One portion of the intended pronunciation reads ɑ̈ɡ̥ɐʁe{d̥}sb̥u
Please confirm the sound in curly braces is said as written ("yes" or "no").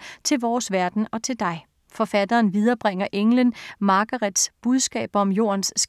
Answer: yes